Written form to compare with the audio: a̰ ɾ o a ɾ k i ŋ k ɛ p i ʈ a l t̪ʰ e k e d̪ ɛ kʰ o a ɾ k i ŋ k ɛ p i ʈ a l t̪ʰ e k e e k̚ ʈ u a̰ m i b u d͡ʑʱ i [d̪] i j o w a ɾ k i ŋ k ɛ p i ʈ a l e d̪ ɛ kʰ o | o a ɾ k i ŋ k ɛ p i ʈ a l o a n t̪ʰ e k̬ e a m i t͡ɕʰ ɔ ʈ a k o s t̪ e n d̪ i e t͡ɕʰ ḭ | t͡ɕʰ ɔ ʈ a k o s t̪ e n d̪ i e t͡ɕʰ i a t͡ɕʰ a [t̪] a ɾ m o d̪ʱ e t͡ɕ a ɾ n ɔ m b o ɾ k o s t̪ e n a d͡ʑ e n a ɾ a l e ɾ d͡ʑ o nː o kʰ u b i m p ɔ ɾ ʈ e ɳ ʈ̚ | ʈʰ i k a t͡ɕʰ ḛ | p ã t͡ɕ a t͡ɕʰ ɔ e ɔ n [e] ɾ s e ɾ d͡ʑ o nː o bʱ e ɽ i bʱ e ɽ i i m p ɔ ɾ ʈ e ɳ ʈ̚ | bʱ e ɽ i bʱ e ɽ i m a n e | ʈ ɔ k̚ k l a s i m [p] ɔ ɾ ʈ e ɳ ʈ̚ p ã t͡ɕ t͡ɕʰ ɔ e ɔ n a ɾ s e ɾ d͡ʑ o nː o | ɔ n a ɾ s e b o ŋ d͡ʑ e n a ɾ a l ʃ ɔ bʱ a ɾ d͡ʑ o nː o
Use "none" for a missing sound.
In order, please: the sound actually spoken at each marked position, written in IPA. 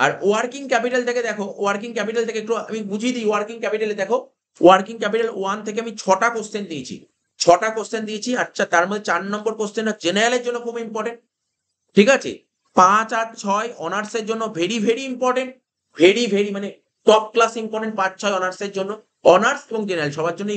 d̪, t̪, a, p

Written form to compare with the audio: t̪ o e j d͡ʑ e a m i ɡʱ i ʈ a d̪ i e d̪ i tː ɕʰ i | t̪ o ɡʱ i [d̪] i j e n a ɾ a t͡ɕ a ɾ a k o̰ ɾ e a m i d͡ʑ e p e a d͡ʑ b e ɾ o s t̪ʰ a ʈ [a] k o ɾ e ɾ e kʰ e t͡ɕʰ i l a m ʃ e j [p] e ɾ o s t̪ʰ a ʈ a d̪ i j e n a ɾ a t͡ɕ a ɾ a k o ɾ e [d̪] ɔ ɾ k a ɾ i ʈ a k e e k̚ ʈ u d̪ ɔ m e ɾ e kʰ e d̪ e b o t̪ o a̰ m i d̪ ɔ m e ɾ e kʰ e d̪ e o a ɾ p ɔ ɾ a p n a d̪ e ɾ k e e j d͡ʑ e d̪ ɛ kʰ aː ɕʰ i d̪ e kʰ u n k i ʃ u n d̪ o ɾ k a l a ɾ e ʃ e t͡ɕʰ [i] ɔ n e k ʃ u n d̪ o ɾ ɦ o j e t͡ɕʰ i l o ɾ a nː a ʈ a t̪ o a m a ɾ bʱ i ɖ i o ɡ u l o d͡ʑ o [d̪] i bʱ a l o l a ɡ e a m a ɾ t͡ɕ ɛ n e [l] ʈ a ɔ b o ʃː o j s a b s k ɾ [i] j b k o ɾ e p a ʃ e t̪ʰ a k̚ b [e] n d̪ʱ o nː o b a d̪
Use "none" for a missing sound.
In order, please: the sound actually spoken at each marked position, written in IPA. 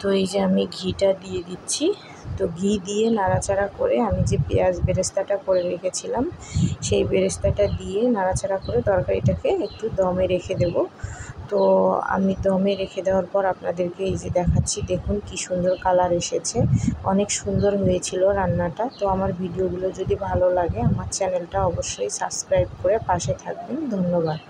d̪, a, b, d̪, e, d̪, l, a, e

